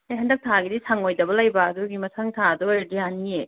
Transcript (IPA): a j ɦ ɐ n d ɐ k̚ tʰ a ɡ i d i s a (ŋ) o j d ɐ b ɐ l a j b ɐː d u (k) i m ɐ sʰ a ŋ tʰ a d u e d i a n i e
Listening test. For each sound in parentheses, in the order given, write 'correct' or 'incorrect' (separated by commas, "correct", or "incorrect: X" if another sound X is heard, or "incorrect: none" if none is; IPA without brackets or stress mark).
correct, incorrect: ɡ